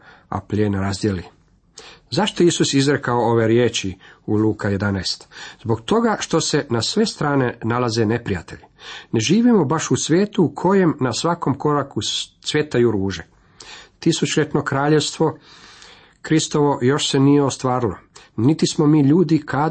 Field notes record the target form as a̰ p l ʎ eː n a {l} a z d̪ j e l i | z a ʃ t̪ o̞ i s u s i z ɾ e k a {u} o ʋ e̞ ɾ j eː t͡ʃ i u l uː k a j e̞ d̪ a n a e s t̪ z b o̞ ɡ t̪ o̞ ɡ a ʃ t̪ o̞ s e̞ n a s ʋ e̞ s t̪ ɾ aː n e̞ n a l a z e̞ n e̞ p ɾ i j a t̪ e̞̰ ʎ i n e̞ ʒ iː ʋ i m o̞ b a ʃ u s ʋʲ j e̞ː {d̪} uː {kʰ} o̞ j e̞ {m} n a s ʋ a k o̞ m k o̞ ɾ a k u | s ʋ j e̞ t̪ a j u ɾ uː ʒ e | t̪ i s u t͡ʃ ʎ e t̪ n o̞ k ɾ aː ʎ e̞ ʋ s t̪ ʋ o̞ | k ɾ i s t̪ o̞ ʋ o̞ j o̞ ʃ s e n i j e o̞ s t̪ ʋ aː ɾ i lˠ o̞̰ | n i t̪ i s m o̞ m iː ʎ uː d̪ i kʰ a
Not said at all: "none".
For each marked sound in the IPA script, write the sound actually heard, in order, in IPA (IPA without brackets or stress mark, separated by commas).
ɾ, o, t̪, kʰ, m